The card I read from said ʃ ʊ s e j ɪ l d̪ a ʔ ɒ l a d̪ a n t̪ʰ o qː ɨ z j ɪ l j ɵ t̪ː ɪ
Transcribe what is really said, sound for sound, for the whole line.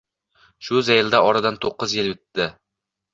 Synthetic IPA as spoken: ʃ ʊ z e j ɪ l d̪ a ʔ ɒ ɾ a d̪ a n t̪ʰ o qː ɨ z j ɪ l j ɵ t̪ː ɪ

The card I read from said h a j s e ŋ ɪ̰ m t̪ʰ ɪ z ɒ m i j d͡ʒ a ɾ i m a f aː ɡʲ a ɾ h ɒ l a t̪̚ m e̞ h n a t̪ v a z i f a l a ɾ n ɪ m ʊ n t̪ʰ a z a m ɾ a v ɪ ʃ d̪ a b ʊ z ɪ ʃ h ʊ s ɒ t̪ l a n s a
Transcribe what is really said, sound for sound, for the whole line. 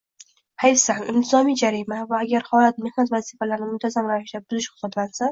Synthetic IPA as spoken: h a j s a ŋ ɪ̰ m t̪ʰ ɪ z ɒ m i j d͡ʒ a ɾ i m a v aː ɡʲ a ɾ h ɒ l a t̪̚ m e̞ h n a t̪ v a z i f a l a ɾ n ɪ m ʊ n t̪ʰ a z a m ɾ a v ɪ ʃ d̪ a b ʊ z ɪ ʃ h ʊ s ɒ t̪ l a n s a

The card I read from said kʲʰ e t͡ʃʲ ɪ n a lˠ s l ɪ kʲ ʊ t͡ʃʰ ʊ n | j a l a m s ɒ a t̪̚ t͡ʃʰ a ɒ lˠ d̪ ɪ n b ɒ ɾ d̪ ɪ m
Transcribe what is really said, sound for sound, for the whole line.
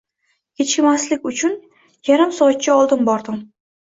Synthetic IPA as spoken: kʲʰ e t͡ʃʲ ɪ m a s l ɪ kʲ ʊ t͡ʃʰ ʊ n | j a ɾ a m s ɒ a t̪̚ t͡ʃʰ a ɒ lˠ d̪ ɪ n b ɒ ɾ d̪ ɪ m

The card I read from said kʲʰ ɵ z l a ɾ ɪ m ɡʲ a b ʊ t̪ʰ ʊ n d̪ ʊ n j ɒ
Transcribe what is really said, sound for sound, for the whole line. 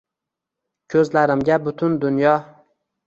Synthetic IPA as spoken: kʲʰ ɵ z l a ɾ ɪ m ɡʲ a b ʊ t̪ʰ ʊ n d̪ ʊ n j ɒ

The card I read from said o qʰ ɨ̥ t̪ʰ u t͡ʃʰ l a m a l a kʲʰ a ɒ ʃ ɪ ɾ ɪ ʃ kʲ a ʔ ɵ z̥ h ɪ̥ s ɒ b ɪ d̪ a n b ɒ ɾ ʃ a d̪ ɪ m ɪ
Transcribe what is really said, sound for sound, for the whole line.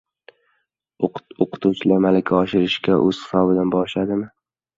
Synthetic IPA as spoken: o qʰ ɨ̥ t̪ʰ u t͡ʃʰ l a m a l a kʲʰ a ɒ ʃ ɪ ɾ ɪ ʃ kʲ a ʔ ɵ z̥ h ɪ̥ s ɒ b ɪ d̪ a n b ɒ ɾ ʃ a d̪ ɪ m ɪ

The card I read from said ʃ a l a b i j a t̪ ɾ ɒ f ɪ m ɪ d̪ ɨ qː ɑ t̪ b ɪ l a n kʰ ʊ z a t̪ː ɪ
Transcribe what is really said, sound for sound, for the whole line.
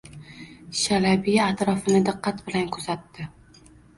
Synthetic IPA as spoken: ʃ a l a b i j a t̪ ɾ ɒ f ɪ n ɪ d̪ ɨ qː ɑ t̪ b ɪ l a n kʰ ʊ z a t̪ː ɪ

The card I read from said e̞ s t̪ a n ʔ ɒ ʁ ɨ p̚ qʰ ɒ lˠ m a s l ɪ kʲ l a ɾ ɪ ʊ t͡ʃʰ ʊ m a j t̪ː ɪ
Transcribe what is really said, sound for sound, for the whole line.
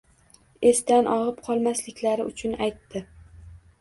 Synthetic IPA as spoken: e̞ s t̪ a n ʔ ɒ ʁ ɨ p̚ qʰ ɒ lˠ m a s l ɪ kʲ l a ɾ ɪ ʊ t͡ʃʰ ʊ n a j t̪ː ɪ

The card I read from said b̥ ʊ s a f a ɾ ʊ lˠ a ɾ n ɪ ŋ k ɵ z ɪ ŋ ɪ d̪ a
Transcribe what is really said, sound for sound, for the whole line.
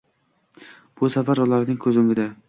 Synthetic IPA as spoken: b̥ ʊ s a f a ɾ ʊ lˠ a ɾ n ɪ ŋ kʰ ɵ z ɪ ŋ ɪ d̪ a

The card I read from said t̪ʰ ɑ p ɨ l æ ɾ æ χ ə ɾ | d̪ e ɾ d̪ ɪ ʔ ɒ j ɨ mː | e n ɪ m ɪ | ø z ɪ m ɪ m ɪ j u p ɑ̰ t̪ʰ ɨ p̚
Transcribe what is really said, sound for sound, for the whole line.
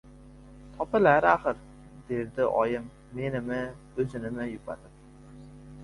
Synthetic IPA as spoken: t̪ʰ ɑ p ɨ l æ ɾ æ χ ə ɾ | d̪ e ɾ d̪ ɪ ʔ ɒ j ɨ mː | e n ɪ m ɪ | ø z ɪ n ɪ m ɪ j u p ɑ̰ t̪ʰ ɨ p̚

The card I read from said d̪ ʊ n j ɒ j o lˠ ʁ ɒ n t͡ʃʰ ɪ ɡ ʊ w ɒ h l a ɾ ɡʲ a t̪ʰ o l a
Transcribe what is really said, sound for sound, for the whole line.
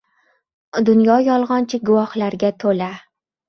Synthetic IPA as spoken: d̪ ʊ n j ɒ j ɒ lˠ ʁ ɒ n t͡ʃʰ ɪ ɡ ʊ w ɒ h l a ɾ ɡʲ a t̪ʰ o l a

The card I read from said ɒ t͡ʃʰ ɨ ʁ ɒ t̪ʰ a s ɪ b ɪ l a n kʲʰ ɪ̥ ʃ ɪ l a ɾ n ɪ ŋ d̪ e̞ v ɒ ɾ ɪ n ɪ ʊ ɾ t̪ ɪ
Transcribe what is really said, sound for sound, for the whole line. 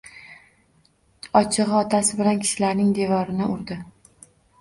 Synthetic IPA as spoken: ɒ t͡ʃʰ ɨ ʁ ɒ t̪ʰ a s ɪ b ɪ l a n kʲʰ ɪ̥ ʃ ɪ l a ɾ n ɪ ŋ d̪ e̞ v ɒ ɾ ɪ n ɪ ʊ ɾ d̪ ɪ

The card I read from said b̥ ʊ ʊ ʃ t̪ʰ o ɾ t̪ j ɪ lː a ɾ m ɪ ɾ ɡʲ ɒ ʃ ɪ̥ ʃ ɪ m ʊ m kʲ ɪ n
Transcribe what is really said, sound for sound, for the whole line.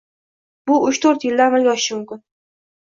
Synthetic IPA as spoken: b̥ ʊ ʊ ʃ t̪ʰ o ɾ t̪ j ɪ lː a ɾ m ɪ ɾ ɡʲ ɒ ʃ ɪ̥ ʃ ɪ m ʊ m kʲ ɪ n

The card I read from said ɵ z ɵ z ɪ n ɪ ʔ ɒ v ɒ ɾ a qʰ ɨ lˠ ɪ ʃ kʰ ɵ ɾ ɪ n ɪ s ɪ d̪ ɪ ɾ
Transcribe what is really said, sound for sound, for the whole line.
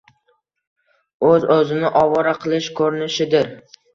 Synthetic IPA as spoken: ɵ z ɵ z ɪ n ɪ ʔ ɒ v ɒ ɾ a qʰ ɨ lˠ ɪ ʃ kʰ ɵ ɾ ɪ n ɪ ʃ ɪ d̪ ɪ ɾ

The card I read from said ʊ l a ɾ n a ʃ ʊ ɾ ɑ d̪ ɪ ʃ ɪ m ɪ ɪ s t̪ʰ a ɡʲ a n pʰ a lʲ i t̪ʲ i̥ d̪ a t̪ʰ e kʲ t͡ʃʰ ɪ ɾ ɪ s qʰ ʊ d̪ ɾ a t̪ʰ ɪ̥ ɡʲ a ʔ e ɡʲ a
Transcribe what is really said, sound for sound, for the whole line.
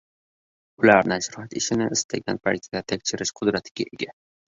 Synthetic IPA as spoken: ʊ l a ɾ n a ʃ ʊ ɾ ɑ t̪ ɪ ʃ ɪ n ɪ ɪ s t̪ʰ a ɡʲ a n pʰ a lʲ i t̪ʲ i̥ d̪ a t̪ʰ e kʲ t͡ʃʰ ɪ ɾ ɪ ʃ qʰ ʊ d̪ ɾ a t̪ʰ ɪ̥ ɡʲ a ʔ e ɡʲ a

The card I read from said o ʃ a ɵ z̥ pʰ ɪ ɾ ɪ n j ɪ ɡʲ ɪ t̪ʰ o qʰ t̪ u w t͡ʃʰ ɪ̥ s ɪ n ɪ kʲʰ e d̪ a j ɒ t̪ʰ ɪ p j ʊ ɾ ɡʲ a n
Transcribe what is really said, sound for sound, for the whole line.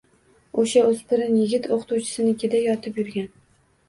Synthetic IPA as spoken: o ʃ a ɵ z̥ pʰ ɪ ɾ ɪ n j ɪ ɡʲ ɪ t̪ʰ o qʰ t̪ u w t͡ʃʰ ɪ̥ s ɪ n ɪ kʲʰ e d̪ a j ɒ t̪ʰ ɪ p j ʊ ɾ ɡʲ a n

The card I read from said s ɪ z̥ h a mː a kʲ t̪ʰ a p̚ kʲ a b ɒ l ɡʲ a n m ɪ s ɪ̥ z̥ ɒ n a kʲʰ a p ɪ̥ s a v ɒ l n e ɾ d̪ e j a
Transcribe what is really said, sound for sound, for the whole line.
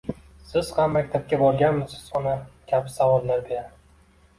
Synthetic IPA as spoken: s ɪ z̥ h a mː a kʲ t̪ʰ a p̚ kʲ a b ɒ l ɡʲ a n m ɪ s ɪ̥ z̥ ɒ n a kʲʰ a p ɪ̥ s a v ɒ l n a ɾ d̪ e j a

